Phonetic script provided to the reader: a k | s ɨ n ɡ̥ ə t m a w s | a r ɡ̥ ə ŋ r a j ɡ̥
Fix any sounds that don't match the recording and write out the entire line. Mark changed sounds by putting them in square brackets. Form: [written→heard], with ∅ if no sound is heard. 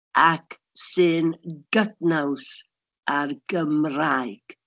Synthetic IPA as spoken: a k | s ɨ n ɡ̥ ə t [m→n] a w s | a r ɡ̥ ə [ŋ→m] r a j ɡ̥